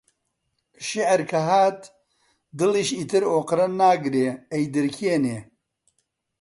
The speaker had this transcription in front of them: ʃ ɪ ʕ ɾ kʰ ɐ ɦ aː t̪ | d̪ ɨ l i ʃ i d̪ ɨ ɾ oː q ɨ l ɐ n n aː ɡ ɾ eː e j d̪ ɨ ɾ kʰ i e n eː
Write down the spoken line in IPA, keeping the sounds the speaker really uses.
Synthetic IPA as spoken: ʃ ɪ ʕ ɾ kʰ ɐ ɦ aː t̪ | d̪ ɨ l i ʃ i t̪ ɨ ɾ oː q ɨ ɾ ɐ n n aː ɡ ɾ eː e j d̪ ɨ ɾ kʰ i e n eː